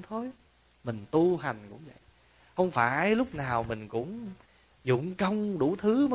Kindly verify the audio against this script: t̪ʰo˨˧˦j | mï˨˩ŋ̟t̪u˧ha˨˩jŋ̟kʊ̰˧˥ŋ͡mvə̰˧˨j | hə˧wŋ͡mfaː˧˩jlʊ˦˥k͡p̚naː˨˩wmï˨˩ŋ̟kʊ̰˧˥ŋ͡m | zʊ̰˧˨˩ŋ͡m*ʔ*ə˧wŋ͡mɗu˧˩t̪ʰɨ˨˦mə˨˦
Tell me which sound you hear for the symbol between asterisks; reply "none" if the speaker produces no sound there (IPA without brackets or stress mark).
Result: k